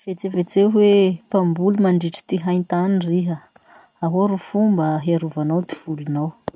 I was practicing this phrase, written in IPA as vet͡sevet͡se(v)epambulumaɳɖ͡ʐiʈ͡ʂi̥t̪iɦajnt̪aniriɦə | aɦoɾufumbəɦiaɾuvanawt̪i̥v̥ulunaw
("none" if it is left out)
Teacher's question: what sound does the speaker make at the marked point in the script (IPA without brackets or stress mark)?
w